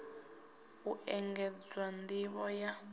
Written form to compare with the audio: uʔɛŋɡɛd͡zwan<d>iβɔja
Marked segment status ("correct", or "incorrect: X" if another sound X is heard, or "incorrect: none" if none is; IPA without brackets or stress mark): correct